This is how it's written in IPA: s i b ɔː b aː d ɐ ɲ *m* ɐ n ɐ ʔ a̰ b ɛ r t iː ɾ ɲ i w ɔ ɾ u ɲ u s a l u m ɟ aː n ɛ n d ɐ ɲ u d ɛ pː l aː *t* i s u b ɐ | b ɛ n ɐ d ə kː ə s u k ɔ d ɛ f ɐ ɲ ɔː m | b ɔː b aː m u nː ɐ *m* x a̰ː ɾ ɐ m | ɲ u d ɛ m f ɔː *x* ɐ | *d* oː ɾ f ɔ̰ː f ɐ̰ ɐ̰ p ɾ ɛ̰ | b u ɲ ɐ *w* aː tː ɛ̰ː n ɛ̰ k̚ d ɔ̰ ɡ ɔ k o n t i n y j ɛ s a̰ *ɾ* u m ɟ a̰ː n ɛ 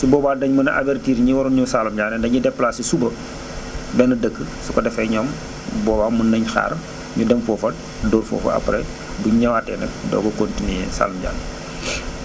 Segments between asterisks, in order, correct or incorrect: correct, incorrect: s, incorrect: ɲ, incorrect: f, correct, correct, incorrect: l

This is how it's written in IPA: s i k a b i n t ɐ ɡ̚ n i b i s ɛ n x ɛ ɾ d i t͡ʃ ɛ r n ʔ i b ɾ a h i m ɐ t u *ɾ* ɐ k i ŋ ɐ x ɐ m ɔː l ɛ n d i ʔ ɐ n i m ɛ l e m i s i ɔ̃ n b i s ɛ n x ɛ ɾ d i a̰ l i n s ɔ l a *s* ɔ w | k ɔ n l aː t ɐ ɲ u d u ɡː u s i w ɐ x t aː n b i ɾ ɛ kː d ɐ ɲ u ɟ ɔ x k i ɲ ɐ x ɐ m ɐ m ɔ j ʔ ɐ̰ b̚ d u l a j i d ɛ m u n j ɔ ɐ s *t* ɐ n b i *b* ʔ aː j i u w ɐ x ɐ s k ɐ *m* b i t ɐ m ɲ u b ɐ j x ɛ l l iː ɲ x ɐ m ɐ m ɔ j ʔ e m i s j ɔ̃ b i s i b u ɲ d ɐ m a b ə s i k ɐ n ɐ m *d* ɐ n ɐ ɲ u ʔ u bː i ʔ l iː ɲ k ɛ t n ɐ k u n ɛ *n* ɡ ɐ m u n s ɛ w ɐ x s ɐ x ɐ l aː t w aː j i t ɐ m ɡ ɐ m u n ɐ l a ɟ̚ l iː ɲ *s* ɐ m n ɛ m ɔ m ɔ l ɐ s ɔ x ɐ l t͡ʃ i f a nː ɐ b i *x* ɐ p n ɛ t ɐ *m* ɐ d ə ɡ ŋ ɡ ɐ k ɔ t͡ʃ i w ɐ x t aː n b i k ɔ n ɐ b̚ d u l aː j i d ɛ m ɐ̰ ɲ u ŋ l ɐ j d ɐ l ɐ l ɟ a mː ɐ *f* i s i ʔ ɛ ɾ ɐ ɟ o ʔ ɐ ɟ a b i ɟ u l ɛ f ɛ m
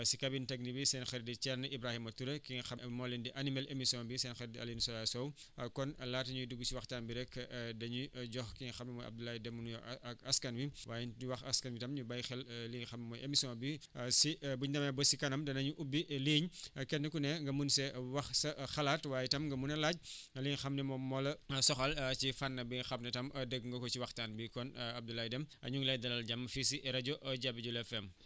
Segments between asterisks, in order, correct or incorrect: correct, correct, incorrect: k, incorrect: w, incorrect: n, correct, incorrect: ŋ, incorrect: x, correct, correct, correct

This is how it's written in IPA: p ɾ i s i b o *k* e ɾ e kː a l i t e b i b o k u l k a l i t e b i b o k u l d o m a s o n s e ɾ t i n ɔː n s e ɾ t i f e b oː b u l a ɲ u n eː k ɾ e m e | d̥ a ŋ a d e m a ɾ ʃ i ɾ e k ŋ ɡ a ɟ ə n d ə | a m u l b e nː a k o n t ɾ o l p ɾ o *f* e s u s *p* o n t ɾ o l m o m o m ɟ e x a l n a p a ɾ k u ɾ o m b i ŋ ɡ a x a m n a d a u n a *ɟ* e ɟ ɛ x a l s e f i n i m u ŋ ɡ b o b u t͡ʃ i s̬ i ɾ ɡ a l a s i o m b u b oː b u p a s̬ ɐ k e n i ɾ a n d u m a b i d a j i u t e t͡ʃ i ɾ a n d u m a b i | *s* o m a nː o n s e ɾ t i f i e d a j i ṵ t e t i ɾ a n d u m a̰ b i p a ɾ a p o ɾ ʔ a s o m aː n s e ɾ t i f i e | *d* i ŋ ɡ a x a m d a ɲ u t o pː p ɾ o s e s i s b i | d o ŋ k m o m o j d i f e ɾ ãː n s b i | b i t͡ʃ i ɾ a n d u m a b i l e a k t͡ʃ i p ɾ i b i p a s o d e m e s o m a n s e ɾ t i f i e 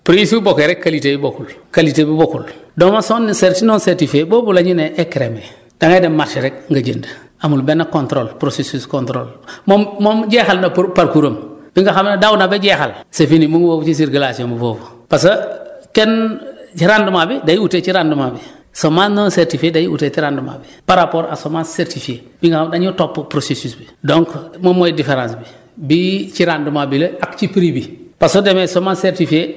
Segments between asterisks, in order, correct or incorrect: correct, incorrect: s, incorrect: k, incorrect: b, correct, incorrect: b

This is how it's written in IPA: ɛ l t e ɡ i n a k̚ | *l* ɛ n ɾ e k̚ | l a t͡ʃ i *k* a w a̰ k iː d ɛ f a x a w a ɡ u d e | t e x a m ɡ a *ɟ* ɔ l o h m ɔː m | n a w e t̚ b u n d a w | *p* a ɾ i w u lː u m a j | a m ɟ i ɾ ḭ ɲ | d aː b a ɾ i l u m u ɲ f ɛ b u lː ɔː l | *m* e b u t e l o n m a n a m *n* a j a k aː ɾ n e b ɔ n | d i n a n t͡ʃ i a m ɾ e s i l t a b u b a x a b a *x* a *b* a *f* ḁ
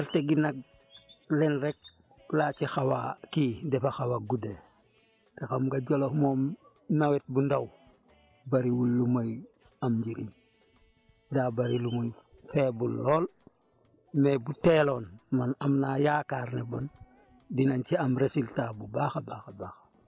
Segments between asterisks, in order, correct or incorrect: correct, incorrect: x, correct, incorrect: b, correct, correct, correct, correct, incorrect: x

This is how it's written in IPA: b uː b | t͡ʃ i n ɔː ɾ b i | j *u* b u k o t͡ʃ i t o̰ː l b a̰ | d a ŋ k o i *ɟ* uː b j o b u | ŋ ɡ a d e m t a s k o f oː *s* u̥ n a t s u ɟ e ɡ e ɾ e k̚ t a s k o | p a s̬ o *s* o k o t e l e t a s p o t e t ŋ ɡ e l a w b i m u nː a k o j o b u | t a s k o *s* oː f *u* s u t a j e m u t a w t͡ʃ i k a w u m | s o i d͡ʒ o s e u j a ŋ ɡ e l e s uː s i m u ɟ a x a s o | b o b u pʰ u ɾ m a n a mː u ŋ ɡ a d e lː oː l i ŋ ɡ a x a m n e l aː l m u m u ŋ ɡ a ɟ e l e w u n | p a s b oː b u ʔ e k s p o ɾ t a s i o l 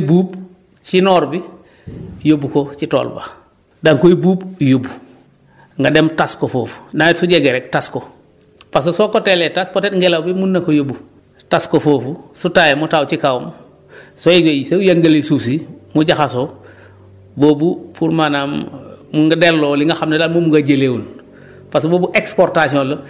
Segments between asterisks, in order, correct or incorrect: incorrect: o, incorrect: b, incorrect: f, correct, incorrect: f, correct

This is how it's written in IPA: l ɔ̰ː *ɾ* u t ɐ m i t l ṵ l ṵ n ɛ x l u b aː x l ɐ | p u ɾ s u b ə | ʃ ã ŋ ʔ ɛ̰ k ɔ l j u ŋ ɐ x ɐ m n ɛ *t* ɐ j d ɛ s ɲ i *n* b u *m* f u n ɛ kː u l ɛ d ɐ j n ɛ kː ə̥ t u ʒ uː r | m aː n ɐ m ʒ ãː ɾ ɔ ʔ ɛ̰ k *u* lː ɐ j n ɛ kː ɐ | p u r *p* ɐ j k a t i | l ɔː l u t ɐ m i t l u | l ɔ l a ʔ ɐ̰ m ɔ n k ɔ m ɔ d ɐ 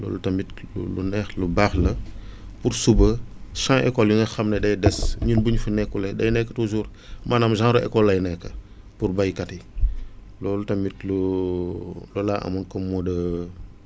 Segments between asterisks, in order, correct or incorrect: incorrect: l, incorrect: d, correct, incorrect: ɲ, incorrect: ɔ, incorrect: b

